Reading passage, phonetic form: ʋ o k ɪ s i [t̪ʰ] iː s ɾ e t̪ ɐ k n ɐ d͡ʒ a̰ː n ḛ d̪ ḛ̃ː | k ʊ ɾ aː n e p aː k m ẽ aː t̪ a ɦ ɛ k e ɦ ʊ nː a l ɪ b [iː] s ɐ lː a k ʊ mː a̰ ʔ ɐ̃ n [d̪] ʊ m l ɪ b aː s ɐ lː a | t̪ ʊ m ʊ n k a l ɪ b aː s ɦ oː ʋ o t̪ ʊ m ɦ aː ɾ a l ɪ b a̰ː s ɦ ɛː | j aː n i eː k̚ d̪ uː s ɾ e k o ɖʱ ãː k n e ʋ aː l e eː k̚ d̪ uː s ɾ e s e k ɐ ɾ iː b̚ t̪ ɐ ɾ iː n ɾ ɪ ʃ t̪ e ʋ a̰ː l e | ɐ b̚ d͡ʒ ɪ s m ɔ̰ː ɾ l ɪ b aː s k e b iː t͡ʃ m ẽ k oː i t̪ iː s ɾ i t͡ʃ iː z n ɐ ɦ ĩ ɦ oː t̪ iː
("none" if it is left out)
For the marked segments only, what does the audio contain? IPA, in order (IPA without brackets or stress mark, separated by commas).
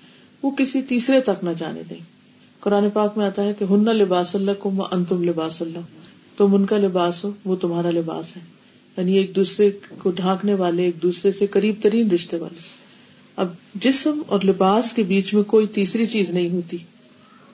t̪, aː, t̪